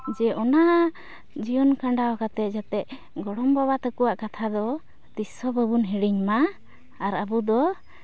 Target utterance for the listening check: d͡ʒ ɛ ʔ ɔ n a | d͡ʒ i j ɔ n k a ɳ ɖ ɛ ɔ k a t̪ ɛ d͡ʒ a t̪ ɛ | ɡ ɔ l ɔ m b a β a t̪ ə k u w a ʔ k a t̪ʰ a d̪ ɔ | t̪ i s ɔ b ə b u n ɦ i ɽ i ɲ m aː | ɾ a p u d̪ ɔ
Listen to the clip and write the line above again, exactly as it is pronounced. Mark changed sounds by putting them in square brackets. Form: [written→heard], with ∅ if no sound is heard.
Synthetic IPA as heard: d͡ʒ ɛ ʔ ɔ n a | d͡ʒ i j ɔ n k a ɳ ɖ [ɛ→a] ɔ k a t̪ ɛ d͡ʒ a t̪ ɛ | ɡ ɔ [l→ɽ] ɔ m b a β a t̪ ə k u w a ʔ k a t̪ʰ a d̪ ɔ | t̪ i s ɔ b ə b u n ɦ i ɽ i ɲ m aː | ɾ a [p→b] u d̪ ɔ